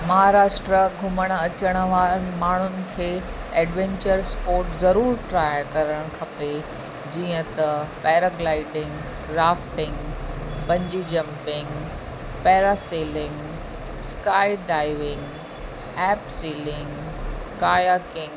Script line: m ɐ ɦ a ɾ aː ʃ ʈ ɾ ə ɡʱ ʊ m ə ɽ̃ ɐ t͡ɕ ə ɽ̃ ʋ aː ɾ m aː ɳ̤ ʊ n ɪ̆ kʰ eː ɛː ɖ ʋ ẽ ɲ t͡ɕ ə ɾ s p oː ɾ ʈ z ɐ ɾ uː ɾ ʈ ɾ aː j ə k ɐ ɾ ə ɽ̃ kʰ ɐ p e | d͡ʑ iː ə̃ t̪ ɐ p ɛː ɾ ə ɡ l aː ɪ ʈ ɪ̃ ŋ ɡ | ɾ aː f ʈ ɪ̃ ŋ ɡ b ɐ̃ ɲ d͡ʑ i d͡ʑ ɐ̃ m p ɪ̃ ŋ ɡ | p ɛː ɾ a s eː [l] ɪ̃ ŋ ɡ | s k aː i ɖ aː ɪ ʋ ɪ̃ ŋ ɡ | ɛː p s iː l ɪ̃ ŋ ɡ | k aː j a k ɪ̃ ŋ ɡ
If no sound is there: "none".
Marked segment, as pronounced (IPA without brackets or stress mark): l